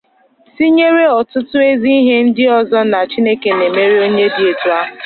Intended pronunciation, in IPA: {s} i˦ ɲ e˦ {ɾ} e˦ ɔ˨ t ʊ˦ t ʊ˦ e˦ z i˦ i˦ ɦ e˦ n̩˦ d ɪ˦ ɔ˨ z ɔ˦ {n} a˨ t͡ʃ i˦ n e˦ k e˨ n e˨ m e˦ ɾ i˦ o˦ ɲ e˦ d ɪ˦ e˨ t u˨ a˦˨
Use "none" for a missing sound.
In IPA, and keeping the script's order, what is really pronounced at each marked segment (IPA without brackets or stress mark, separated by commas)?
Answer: s, ɾ, n